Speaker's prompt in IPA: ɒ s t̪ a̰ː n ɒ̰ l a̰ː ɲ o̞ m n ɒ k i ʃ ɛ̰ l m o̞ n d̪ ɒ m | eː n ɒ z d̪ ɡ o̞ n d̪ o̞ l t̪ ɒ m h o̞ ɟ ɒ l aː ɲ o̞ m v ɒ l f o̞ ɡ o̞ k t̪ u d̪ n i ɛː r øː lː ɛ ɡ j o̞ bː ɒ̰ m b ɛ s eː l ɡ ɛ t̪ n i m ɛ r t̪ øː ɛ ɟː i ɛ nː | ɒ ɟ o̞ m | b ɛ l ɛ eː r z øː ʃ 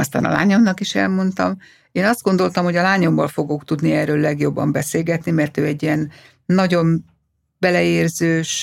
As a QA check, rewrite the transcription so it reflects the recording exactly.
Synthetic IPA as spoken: ɒ s t̪ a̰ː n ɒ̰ l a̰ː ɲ o̞ m n ɒ k i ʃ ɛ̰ l m o̞ n t̪ ɒ m | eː n ɒ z d̪ ɡ o̞ n d̪ o̞ l t̪ ɒ m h o̞ ɟ ɒ l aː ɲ o̞ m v ɒ l f o̞ ɡ o̞ k t̪ u d̪ n i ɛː r øː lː ɛ ɡ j o̞ bː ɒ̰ m b ɛ s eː l ɡ ɛ t̪ n i m ɛ r t̪ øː ɛ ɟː i ɛ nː | ɒ ɟ o̞ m | b ɛ l ɛ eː r z øː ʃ